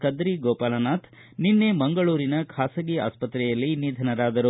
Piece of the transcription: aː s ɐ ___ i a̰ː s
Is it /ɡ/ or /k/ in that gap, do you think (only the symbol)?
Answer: ɡ